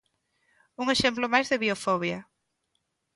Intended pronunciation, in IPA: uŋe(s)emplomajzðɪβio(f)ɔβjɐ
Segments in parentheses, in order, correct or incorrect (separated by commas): incorrect, correct